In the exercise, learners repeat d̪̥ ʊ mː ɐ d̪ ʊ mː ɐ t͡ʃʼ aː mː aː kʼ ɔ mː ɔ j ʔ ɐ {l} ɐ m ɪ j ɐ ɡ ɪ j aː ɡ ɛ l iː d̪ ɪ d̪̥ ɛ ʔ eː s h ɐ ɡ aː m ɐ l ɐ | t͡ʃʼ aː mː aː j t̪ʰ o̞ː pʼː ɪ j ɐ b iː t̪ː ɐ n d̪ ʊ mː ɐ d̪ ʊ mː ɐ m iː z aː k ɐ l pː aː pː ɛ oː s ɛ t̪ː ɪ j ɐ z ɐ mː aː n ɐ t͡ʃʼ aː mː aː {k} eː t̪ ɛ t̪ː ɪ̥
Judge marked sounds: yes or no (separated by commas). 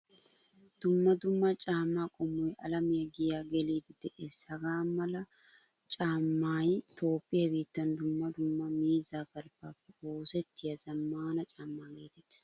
yes, no